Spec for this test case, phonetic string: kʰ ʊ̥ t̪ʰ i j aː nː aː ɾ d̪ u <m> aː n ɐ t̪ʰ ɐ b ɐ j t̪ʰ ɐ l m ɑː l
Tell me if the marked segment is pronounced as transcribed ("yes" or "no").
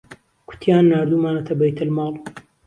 yes